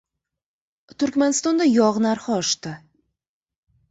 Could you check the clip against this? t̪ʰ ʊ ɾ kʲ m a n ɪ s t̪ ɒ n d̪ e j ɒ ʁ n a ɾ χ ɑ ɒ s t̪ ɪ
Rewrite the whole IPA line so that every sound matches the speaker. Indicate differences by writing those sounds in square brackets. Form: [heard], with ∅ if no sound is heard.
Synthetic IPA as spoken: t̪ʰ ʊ ɾ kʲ m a n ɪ s t̪ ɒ n d̪ [a] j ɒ ʁ n a ɾ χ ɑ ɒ [ʃ] t̪ ɪ